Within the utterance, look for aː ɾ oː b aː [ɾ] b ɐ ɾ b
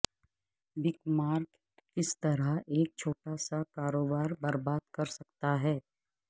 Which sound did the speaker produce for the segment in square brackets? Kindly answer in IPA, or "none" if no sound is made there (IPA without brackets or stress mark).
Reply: ɾ